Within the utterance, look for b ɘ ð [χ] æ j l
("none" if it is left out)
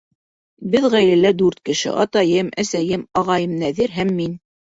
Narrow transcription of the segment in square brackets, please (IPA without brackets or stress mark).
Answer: ʁ